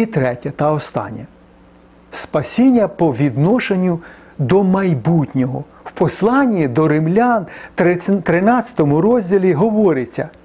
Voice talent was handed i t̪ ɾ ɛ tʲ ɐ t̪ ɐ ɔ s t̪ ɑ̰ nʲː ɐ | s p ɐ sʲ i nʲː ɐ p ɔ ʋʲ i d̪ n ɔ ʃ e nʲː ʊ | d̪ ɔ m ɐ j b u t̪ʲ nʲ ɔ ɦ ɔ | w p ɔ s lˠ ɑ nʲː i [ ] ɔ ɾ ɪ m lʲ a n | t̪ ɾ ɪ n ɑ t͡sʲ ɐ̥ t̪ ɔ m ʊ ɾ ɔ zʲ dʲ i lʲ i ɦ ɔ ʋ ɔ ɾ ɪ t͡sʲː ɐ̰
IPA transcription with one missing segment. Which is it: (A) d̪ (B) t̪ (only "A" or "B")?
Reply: A